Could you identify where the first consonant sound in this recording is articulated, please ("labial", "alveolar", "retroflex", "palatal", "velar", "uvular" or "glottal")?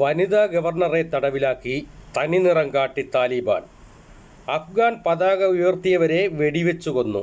labial